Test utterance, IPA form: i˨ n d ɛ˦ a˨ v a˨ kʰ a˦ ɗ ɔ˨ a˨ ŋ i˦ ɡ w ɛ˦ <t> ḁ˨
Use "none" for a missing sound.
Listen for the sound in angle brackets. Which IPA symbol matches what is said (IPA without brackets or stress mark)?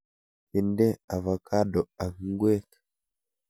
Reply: k